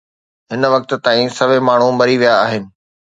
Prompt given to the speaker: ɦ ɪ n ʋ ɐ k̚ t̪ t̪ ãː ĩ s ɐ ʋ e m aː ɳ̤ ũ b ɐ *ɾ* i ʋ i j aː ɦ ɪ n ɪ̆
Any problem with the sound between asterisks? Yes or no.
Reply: no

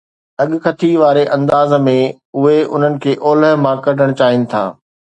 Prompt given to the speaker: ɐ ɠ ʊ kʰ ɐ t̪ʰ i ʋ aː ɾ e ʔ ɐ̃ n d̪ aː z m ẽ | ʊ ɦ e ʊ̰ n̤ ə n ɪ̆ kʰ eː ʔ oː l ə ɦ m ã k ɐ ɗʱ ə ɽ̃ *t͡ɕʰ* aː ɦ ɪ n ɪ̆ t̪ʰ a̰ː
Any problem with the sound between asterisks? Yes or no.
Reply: yes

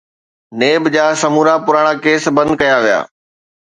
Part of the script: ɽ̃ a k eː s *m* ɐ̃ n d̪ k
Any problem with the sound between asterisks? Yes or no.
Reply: yes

